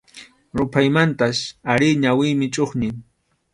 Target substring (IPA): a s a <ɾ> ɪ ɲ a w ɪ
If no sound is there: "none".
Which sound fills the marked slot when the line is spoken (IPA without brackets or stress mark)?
ɾ